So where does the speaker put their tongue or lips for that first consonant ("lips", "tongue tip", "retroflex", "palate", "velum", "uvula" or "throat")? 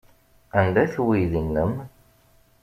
tongue tip